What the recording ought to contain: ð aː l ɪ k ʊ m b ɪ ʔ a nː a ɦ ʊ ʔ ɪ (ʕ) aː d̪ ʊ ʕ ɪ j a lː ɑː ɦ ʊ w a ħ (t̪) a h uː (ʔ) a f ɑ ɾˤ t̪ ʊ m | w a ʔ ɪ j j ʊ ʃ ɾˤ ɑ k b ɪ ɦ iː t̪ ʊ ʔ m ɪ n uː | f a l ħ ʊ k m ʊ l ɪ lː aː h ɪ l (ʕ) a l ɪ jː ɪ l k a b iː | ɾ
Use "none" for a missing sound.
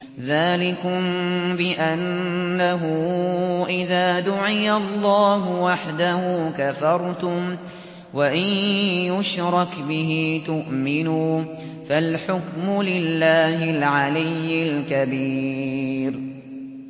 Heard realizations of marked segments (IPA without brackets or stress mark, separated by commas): ð, d̪, k, ʕ